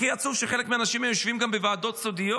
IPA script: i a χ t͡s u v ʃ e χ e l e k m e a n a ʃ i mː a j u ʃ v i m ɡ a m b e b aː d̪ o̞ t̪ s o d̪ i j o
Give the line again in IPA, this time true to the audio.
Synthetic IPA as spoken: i a t͡s u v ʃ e χ e l e k m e a n a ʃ i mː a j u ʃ v i m ɡ a m b e v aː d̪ o̞ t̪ s o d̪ i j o